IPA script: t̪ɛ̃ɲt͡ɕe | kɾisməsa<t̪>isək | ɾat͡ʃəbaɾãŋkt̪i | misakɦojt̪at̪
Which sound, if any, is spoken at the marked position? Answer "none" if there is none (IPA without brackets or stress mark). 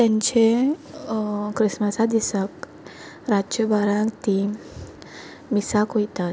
d̪